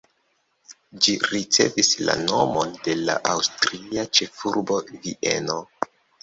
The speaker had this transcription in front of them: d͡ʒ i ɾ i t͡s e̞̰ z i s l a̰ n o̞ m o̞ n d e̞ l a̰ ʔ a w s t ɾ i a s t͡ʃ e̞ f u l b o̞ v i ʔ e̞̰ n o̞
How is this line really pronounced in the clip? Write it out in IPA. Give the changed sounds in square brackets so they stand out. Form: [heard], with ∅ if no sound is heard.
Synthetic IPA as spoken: d͡ʒ i ɾ i t͡s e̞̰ [v] i s l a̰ n o̞ m o̞ n d e̞ l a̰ ʔ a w s t ɾ i a [∅] t͡ʃ e̞ f u [ɾ] b o̞ v i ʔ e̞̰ n o̞